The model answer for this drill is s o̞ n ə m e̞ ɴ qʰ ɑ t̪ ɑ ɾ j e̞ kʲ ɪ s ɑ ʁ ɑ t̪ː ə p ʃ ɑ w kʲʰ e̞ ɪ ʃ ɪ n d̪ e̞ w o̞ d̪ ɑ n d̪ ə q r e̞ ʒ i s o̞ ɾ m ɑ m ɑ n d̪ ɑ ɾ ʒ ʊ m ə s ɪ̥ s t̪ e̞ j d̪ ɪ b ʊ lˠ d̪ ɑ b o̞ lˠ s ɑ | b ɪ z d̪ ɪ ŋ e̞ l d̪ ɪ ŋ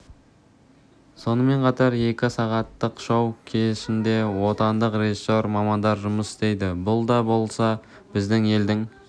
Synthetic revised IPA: s o̞ n ə m e̞ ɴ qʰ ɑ t̪ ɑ ɾ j e̞ kʲ ɪ s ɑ ʁ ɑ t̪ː ə q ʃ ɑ w kʲʰ e̞ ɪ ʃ ɪ n d̪ e̞ w o̞ t̪ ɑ n d̪ ə q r e̞ ʒ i s o̞ ɾ m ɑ m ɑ n d̪ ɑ ɾ ʒ ʊ m ə s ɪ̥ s t̪ e̞ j d̪ ɪ b ʊ lˠ d̪ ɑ b o̞ lˠ s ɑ | b ɪ z d̪ ɪ ŋ e̞ l d̪ ɪ ŋ